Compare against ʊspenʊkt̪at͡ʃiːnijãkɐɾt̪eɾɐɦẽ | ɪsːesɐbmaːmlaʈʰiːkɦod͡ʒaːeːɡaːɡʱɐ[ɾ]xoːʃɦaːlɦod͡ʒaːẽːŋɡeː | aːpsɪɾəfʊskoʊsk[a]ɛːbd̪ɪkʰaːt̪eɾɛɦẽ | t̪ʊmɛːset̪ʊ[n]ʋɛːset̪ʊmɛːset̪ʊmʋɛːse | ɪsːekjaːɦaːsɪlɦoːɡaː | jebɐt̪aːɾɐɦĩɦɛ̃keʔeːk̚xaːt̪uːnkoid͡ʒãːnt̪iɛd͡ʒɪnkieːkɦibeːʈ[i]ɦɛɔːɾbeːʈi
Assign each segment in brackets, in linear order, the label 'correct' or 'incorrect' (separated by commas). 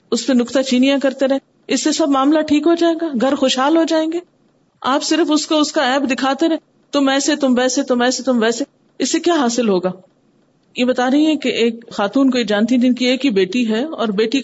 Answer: correct, correct, incorrect, correct